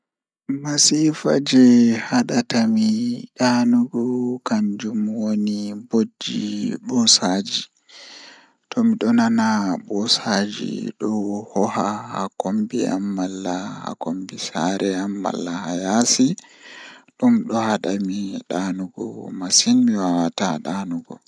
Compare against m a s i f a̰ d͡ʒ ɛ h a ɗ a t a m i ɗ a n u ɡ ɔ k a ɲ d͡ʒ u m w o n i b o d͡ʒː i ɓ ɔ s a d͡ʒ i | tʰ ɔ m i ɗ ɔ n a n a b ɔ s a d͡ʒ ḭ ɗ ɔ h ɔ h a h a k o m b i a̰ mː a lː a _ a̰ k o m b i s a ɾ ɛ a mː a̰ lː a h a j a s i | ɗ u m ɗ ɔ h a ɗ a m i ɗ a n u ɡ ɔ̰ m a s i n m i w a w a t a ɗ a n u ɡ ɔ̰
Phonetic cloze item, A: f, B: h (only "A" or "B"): B